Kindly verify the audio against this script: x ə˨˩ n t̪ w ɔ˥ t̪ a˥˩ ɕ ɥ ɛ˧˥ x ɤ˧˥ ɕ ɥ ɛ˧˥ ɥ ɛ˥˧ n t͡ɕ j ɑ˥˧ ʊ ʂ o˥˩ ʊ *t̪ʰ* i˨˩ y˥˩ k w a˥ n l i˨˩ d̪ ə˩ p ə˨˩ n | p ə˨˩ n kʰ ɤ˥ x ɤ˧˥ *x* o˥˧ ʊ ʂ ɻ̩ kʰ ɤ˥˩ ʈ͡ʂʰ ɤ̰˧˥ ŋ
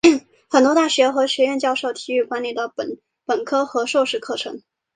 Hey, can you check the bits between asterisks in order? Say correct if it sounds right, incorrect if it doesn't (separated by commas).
correct, incorrect